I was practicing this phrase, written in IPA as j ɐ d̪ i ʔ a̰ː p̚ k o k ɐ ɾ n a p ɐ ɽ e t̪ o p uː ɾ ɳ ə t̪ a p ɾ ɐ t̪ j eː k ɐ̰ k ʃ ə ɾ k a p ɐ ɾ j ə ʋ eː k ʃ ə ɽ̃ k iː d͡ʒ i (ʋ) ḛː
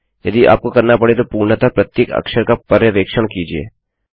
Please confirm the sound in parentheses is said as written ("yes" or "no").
no